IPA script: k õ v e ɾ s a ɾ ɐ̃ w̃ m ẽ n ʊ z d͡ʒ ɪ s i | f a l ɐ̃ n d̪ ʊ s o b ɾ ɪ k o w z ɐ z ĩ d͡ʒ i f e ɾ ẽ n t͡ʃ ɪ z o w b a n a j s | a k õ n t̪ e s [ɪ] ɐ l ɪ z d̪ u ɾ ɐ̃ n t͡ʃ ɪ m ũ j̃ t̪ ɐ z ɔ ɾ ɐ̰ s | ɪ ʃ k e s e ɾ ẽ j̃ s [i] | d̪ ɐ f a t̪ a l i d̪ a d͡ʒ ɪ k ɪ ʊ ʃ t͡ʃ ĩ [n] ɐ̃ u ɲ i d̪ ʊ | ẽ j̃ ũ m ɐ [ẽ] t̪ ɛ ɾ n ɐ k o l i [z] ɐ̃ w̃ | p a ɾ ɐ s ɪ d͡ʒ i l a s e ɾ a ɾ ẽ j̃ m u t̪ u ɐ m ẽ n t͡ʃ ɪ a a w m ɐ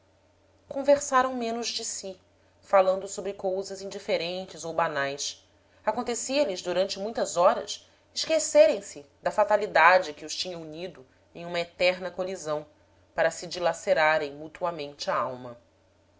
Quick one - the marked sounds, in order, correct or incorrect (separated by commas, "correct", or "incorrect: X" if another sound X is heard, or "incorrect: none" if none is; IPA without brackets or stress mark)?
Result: incorrect: i, incorrect: ɪ, incorrect: ɲ, incorrect: e, correct